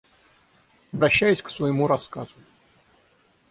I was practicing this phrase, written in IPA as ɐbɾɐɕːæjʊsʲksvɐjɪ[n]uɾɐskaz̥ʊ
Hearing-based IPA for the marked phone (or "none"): m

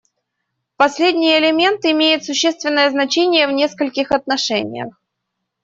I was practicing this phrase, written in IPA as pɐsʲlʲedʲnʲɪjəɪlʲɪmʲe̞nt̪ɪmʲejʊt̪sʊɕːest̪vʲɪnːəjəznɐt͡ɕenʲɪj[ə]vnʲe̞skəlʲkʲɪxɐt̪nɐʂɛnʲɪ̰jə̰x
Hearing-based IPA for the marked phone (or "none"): ə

